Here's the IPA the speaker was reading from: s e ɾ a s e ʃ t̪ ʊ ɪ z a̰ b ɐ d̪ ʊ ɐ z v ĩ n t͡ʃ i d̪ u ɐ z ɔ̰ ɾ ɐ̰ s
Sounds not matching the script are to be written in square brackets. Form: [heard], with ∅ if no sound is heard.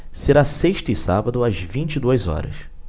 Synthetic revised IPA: s e ɾ a s e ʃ t̪ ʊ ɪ [s] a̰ b ɐ d̪ ʊ ɐ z v ĩ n t͡ʃ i d̪ u ɐ z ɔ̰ ɾ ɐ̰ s